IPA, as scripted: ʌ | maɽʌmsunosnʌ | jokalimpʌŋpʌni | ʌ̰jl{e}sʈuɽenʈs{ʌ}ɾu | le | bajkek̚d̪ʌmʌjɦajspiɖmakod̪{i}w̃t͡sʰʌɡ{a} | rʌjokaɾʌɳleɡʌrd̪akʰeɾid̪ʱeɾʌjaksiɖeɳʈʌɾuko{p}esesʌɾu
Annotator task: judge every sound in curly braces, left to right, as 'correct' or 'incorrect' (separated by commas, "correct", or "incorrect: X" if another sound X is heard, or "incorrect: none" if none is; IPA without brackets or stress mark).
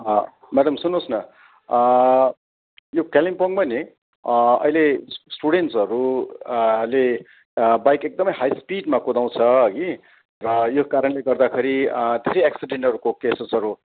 correct, correct, incorrect: a, incorrect: i, incorrect: k